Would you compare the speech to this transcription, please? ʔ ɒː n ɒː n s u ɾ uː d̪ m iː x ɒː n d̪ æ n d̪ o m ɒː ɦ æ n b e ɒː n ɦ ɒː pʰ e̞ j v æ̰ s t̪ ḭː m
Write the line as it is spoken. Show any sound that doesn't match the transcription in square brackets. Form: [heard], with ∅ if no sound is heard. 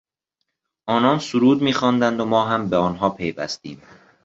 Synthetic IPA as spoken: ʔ ɒː n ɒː n s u ɾ uː d̪ m iː x ɒː n d̪ æ n d̪ o m ɒː ɦ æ [m] b e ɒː n ɦ ɒː pʰ e̞ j v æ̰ s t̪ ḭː m